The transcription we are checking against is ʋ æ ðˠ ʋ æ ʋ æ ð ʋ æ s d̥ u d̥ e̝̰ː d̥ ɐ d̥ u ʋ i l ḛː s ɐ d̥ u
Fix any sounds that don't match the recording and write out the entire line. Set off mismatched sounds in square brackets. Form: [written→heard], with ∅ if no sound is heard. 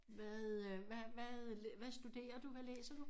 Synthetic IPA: ʋ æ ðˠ ʋ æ ʋ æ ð ʋ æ s d̥ u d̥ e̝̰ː [d̥→∅] ɐ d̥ u ʋ [i→æ] l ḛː s ɐ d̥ u